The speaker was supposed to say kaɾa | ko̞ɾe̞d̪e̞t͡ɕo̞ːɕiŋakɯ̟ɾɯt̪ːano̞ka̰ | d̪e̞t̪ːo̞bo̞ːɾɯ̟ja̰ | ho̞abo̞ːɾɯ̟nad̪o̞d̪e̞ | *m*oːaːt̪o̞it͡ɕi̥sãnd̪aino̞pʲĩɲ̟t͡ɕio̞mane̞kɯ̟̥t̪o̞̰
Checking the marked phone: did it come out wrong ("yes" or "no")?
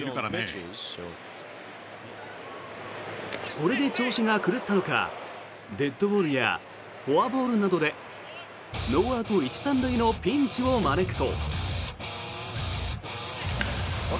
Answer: yes